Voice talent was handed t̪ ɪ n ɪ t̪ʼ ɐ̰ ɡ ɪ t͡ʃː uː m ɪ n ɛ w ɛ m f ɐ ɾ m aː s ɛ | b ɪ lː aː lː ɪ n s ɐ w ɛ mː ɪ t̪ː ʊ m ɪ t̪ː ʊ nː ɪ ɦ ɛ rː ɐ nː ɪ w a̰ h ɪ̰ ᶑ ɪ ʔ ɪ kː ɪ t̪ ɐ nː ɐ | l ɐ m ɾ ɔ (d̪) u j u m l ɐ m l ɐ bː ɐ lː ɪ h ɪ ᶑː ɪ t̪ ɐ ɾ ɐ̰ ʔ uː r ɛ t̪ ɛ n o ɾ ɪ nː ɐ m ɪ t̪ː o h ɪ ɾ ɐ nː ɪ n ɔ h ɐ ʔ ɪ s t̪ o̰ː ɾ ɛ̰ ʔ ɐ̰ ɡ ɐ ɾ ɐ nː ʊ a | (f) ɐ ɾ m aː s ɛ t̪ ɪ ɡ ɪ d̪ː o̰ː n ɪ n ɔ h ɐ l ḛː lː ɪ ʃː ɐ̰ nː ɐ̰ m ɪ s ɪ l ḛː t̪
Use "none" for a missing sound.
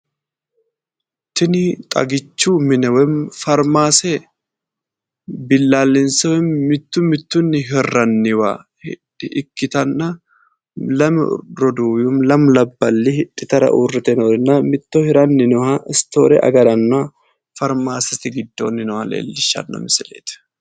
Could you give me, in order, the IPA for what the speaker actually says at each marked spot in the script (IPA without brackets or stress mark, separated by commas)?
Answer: d̪, f